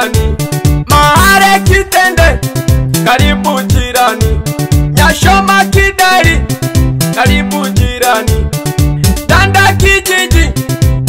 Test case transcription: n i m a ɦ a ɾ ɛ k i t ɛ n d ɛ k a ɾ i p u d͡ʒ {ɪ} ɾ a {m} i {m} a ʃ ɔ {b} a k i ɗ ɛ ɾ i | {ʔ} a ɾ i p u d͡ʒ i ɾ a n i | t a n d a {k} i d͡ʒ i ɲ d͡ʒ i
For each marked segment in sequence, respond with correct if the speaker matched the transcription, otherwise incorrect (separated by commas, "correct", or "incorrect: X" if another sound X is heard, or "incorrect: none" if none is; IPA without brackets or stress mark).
incorrect: i, incorrect: n, incorrect: ɲ, incorrect: m, incorrect: k, correct